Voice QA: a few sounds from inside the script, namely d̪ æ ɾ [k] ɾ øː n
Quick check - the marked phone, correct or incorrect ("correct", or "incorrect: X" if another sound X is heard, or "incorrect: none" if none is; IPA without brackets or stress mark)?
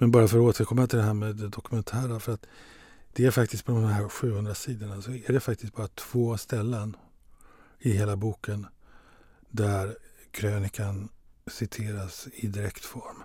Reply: incorrect: kʰ